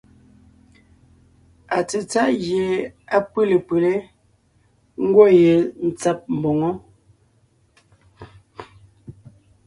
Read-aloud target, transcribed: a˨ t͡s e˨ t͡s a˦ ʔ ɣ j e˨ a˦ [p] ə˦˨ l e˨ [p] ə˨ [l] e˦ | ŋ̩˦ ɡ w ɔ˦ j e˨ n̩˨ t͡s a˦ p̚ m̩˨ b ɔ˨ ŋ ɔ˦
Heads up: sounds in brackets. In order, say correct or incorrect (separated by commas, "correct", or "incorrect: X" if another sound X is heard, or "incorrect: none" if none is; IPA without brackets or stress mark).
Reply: correct, correct, correct